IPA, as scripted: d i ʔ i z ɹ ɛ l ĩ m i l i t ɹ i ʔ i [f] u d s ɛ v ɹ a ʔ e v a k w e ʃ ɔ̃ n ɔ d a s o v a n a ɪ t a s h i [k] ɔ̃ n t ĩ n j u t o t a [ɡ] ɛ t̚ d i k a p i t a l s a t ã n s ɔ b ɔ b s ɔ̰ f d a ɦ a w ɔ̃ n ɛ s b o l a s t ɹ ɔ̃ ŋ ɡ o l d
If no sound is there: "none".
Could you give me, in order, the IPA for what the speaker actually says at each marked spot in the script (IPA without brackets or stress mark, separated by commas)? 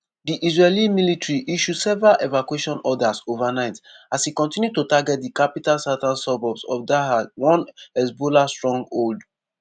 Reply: ʃ, k, ɡ